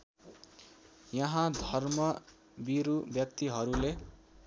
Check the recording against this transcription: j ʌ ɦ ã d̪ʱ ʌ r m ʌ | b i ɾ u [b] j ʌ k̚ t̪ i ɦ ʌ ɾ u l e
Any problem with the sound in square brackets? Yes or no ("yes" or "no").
no